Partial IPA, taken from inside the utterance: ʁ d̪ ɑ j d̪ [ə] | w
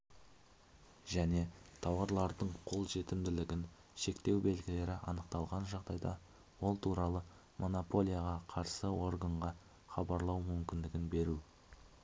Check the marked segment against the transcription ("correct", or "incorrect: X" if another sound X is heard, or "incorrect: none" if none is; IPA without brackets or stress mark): incorrect: ɑ